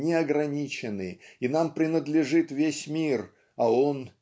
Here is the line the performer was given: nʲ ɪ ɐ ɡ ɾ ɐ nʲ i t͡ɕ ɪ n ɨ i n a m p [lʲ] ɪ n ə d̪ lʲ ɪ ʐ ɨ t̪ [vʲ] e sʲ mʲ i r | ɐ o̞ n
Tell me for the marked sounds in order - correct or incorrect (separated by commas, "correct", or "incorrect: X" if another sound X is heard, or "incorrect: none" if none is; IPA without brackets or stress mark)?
incorrect: ɾʲ, correct